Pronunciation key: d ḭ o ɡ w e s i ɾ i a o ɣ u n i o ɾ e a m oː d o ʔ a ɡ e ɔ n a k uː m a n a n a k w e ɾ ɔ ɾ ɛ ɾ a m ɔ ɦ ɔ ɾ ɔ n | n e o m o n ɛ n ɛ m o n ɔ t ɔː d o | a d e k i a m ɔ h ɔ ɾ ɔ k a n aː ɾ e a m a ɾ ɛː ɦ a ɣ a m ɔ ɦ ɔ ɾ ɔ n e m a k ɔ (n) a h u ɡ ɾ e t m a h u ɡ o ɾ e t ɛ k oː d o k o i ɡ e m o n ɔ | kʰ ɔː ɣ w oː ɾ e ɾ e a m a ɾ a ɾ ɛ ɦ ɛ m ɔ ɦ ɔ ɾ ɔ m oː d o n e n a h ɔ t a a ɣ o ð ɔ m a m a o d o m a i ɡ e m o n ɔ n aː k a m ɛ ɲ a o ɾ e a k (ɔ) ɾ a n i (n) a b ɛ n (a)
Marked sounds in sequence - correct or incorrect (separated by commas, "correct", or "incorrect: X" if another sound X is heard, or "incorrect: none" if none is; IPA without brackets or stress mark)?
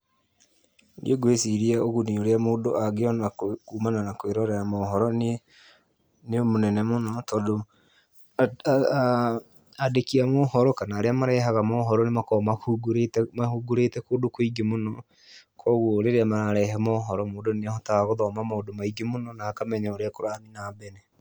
incorrect: m, incorrect: o, correct, incorrect: ɛ